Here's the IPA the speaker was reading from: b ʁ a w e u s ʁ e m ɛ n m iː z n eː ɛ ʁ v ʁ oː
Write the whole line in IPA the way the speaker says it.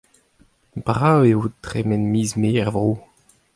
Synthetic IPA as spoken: b ʁ a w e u t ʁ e m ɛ n m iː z m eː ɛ ʁ v ʁ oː